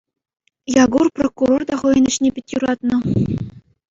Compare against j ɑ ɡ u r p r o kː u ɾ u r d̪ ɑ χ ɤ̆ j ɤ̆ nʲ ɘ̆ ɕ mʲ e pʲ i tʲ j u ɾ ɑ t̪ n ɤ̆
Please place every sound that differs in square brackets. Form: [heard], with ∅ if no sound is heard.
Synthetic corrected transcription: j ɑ ɡ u r p r o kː u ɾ [o] r d̪ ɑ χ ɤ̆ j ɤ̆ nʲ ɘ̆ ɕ [nʲ] e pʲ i tʲ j u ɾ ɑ t̪ n ɤ̆

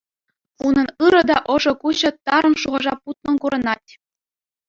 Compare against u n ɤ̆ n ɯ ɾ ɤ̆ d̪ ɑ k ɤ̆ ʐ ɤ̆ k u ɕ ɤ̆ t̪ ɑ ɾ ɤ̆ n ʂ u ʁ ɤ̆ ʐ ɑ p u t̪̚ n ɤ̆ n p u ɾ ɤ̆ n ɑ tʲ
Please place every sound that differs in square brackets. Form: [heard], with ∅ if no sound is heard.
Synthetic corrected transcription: u n ɤ̆ n ɯ ɾ ɤ̆ d̪ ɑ [ʔ] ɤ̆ ʐ ɤ̆ k u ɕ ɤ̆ t̪ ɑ ɾ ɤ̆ n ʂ u ʁ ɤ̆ ʐ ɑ p u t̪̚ n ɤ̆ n [k] u ɾ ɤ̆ n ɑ tʲ

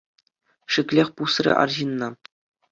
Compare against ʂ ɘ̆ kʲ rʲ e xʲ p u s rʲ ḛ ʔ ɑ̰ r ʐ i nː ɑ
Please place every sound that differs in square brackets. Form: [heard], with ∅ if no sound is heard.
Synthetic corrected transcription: ʂ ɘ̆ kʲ [lʲ] e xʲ p u s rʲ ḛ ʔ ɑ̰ r [ʑ] i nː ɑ

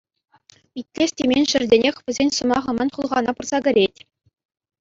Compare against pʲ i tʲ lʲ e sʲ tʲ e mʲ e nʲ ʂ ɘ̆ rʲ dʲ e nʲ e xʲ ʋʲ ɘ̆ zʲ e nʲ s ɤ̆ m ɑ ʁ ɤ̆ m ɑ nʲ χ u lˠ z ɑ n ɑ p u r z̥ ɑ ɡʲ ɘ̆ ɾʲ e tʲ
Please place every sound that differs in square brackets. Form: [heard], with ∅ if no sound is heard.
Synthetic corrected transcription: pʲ i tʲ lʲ e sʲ tʲ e mʲ e nʲ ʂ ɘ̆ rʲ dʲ e nʲ e xʲ ʋʲ ɘ̆ zʲ e nʲ s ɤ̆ m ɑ ʁ ɤ̆ m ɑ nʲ χ u lˠ [ʁ] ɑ n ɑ p u r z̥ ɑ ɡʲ ɘ̆ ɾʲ e tʲ

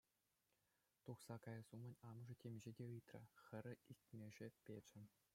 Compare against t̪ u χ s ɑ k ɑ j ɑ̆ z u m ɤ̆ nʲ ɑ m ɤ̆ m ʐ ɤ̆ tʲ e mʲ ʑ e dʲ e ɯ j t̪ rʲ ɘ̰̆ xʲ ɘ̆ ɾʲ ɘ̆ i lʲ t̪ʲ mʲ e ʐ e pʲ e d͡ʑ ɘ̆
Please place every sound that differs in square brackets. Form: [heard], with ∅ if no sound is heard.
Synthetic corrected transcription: t̪ u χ s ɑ k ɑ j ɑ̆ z u m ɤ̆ nʲ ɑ m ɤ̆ [∅] ʐ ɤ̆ tʲ e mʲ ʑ e dʲ e ɯ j t̪ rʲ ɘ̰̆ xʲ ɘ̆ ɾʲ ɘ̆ i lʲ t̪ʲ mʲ e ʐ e pʲ e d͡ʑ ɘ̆

